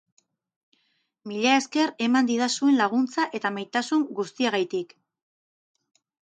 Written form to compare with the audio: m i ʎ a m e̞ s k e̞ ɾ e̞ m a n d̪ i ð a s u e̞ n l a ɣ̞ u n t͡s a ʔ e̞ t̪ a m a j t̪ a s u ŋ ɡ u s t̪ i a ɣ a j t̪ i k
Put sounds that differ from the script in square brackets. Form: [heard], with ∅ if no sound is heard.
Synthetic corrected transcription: m i ʎ a [∅] e̞ s k e̞ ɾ e̞ m a n d̪ i ð a s u e̞ n l a ɣ̞ u n t͡s a ʔ e̞ t̪ a m a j t̪ a s u ŋ ɡ u s t̪ i a ɣ a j t̪ i k